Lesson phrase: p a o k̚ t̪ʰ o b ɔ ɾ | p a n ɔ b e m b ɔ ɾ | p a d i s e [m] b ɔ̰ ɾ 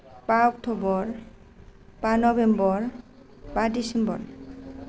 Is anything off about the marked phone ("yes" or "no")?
no